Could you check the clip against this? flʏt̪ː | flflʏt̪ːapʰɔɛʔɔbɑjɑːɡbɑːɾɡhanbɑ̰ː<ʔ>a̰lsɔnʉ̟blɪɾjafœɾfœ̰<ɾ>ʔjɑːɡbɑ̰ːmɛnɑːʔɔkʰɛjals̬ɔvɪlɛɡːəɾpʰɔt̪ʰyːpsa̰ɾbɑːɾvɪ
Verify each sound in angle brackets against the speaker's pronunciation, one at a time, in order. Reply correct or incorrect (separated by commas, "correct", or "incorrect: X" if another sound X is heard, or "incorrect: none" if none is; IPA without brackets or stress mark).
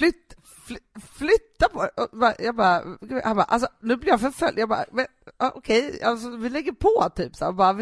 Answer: correct, incorrect: l